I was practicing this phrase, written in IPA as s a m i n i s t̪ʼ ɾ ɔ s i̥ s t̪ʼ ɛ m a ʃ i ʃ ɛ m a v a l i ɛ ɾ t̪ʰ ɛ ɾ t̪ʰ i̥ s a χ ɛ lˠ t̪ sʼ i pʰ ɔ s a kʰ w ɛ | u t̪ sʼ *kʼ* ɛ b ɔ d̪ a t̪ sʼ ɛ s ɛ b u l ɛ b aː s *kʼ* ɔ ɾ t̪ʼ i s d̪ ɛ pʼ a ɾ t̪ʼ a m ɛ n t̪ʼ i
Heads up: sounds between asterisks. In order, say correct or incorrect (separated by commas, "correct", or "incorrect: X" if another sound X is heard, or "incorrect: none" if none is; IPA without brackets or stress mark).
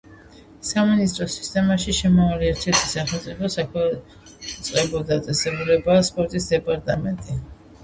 incorrect: qʼ, incorrect: pʼ